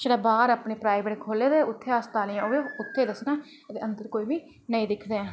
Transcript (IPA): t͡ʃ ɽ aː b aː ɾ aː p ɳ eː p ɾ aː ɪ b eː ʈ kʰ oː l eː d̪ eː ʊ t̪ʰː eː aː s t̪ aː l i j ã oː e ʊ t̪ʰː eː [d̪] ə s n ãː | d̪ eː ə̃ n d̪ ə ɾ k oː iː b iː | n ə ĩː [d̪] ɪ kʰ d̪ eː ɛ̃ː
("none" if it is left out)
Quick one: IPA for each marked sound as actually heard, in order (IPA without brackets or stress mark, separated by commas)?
d̪, d̪